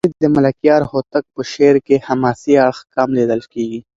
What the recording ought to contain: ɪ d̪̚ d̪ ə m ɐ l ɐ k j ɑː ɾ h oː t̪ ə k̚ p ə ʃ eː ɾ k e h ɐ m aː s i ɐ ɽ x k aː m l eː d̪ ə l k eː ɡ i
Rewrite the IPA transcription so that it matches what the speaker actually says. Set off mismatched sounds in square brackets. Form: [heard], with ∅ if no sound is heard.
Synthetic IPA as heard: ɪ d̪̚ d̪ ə m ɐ l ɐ k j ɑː ɾ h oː t̪ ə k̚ p ə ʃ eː ɾ k e h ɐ m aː s i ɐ ɽ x k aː m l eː d̪ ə l k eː ɡ i